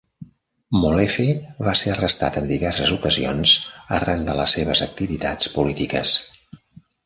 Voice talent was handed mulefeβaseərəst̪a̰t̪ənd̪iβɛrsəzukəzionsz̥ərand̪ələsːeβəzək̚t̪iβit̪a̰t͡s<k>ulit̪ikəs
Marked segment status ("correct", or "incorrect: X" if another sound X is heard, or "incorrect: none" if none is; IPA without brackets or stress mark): incorrect: p